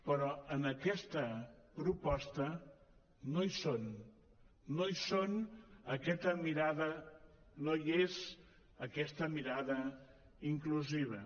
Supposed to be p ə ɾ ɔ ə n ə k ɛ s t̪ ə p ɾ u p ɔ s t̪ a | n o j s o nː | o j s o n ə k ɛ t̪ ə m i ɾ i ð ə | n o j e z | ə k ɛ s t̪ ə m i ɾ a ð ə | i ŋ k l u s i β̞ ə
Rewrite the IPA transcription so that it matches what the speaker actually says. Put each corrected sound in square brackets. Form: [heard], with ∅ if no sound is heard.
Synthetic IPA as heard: p ə ɾ ɔ ə n ə k ɛ s t̪ ə p ɾ u p ɔ s t̪ [ə] | n o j s o nː | o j s o n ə k ɛ t̪ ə m i ɾ [a] ð ə | n o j e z | ə k ɛ s t̪ ə m i ɾ a ð ə | i ŋ k l u [z] i β̞ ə